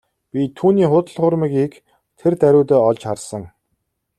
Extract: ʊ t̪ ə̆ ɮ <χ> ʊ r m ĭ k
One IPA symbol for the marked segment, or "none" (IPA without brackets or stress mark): χ